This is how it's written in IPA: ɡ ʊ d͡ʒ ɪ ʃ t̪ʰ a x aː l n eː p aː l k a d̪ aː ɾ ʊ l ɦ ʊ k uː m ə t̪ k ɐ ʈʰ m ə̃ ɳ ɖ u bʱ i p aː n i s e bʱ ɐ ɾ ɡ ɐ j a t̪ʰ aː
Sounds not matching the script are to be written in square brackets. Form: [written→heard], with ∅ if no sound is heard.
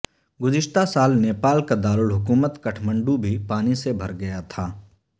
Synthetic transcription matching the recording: ɡ ʊ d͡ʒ ɪ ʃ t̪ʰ a [x→s] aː l n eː p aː l k a d̪ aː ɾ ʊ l ɦ ʊ k uː m ə t̪ k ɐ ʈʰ m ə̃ ɳ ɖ u bʱ i p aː n i s e bʱ ɐ ɾ ɡ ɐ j a t̪ʰ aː